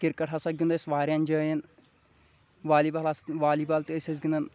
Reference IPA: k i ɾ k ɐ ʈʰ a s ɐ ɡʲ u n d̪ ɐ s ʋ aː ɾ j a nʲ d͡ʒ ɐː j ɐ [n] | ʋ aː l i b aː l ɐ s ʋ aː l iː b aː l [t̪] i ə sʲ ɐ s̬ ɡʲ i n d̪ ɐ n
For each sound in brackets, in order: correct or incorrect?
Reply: correct, correct

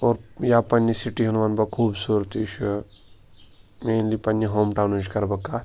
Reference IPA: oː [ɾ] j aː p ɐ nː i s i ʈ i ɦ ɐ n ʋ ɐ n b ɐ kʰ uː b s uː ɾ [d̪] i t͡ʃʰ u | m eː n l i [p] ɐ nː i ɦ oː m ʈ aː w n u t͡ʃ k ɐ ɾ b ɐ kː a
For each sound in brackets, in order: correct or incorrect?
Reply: correct, incorrect, correct

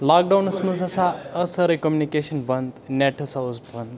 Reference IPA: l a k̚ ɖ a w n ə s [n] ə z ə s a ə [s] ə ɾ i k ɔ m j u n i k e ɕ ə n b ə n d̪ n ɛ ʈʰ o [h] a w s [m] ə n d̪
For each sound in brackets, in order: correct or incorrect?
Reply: incorrect, correct, incorrect, incorrect

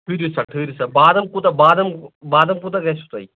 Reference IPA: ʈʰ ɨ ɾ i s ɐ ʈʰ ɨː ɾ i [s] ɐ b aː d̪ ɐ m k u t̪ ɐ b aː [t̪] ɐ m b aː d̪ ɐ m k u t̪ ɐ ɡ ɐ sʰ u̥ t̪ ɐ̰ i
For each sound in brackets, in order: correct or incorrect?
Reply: correct, incorrect

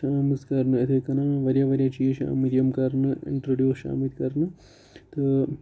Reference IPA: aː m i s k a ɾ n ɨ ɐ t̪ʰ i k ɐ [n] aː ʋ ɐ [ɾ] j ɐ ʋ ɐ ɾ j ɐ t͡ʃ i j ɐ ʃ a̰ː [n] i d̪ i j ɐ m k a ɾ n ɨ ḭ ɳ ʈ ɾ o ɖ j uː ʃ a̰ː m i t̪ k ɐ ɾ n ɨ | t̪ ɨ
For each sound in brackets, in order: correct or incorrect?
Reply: correct, correct, incorrect

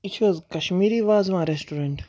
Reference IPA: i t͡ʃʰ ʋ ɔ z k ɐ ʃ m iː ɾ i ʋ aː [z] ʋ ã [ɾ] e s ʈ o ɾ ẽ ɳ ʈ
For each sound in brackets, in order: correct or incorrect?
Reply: correct, correct

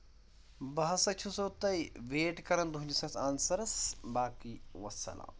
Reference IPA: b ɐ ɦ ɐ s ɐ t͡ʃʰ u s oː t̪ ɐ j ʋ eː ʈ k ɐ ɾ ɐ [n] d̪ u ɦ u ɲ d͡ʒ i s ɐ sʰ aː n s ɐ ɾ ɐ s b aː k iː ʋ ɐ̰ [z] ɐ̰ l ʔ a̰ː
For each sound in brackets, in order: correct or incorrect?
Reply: correct, incorrect

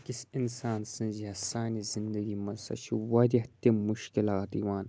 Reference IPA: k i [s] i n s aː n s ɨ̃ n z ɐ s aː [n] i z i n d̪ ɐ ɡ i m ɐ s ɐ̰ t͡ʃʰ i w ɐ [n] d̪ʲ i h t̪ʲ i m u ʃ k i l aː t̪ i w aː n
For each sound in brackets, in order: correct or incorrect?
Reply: correct, correct, incorrect

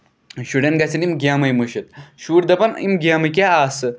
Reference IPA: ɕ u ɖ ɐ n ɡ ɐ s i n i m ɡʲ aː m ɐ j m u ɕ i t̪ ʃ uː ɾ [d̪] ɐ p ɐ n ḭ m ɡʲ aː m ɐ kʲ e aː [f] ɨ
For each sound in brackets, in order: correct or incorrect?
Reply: correct, incorrect

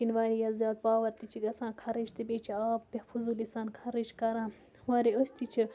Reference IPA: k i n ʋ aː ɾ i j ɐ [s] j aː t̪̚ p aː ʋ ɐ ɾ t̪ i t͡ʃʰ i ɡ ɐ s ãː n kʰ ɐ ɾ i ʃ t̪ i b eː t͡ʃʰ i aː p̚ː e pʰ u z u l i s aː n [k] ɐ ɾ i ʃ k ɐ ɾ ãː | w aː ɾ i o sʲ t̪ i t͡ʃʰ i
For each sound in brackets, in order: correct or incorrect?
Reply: incorrect, incorrect

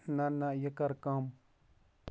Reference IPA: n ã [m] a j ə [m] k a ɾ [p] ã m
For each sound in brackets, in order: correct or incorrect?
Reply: incorrect, incorrect, incorrect

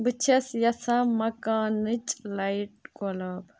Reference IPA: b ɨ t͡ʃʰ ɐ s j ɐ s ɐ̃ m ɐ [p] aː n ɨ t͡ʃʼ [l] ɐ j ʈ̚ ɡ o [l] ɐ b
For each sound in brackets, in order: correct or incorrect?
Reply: incorrect, correct, correct

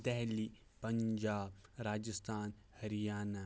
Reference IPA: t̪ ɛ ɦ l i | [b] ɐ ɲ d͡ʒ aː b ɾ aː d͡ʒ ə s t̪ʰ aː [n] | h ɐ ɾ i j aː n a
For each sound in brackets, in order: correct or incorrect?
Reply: incorrect, correct

